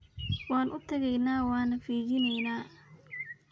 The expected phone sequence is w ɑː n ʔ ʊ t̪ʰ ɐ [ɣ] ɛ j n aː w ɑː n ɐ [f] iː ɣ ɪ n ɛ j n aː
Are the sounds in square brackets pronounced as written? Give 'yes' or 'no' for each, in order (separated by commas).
yes, yes